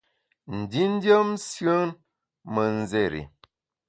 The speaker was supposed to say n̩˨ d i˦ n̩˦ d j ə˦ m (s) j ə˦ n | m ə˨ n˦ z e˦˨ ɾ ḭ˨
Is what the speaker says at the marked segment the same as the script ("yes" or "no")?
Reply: yes